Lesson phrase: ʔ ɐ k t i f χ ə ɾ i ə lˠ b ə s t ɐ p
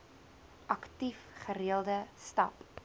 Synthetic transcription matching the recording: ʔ ɐ k t i f χ ə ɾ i ə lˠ d ə s t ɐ p